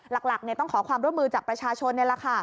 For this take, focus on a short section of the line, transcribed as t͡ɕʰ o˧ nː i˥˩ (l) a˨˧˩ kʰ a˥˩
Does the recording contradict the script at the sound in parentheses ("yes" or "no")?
no